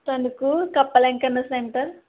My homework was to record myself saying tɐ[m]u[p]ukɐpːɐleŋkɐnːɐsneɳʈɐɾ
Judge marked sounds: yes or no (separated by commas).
no, no